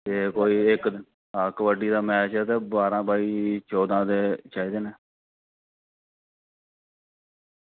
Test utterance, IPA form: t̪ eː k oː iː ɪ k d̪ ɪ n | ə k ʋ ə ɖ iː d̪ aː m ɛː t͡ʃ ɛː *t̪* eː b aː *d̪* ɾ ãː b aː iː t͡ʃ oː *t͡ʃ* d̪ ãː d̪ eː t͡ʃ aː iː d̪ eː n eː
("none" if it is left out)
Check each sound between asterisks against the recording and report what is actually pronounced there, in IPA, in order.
t̪, none, none

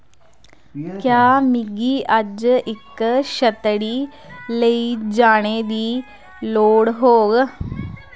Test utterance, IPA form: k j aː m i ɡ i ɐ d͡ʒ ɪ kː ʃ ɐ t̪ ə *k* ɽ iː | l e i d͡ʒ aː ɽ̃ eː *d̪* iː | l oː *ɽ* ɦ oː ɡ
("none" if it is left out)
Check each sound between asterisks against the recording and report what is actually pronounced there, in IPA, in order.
none, d̪, ɽ

